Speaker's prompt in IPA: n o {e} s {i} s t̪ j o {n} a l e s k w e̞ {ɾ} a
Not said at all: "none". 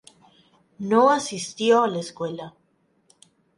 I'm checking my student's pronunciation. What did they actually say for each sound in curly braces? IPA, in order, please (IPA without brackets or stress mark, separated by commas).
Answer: a, i, none, l